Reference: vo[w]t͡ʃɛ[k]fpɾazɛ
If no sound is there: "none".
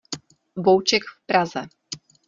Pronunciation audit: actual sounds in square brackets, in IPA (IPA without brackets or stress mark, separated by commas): w, k